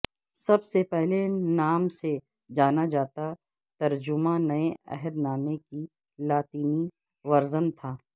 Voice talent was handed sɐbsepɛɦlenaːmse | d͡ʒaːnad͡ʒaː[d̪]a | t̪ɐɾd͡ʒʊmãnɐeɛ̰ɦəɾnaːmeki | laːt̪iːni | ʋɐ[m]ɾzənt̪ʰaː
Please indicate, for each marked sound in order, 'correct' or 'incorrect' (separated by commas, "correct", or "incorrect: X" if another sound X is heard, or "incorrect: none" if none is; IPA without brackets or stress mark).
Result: incorrect: t̪, incorrect: none